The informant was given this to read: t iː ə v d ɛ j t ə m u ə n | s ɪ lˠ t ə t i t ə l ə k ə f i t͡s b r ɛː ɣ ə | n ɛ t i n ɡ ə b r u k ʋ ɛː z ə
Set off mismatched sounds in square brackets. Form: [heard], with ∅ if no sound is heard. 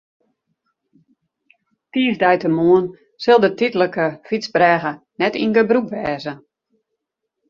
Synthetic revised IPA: t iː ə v d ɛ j t ə m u ə n | s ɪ lˠ [d] ə t i t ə l ə k ə f i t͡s b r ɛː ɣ ə | n ɛ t i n ɡ ə b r u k ʋ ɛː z ə